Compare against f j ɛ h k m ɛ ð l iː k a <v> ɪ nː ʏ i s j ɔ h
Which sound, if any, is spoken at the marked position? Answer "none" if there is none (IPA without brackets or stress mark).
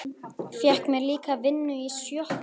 v